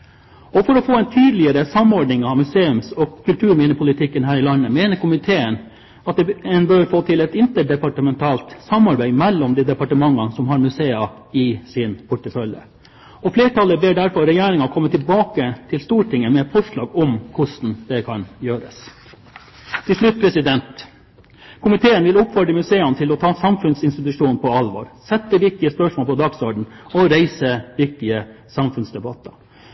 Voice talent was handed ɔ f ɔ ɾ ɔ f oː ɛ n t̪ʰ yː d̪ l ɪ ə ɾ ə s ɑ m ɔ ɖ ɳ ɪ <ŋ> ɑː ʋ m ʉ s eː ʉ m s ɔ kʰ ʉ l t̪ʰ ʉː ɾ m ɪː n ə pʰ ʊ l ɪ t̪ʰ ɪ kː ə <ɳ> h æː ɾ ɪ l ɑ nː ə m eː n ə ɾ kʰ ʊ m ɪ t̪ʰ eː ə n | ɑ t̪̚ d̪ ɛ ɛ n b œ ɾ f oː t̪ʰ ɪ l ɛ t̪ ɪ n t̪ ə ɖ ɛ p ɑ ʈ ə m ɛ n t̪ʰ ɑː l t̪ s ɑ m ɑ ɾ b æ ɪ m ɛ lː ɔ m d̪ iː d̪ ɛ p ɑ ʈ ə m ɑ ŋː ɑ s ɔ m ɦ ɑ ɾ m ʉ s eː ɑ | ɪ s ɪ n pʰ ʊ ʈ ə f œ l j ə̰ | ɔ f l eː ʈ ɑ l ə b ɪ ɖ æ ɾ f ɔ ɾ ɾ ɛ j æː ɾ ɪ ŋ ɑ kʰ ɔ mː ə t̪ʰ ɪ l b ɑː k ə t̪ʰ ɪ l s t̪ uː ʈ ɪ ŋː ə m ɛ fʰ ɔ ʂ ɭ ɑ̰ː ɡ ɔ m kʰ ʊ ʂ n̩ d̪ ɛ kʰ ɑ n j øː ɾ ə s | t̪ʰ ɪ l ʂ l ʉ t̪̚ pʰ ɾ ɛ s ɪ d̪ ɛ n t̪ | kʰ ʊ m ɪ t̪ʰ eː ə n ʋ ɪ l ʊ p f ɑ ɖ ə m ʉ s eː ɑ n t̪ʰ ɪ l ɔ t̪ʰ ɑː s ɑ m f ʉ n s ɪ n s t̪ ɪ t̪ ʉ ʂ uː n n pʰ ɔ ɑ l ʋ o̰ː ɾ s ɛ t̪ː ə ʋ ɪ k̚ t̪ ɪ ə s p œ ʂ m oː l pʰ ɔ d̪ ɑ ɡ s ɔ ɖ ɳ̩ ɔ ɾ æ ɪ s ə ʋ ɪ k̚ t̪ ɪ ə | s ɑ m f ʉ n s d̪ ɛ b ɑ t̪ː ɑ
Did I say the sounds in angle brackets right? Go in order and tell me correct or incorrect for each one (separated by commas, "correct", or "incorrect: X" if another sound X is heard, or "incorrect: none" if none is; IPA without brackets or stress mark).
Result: correct, incorrect: n